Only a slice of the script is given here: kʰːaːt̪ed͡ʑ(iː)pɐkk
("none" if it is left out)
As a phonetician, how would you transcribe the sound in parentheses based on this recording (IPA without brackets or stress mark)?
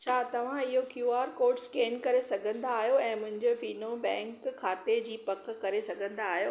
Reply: iː